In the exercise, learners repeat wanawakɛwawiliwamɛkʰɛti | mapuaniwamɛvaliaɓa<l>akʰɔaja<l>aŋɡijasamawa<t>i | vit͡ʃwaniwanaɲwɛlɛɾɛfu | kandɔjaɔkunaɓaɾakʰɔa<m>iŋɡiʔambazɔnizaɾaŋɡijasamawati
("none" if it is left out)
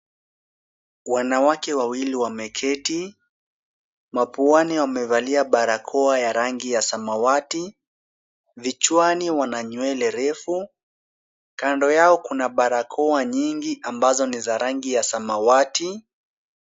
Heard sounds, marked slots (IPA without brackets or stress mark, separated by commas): ɾ, ɾ, t, ɲ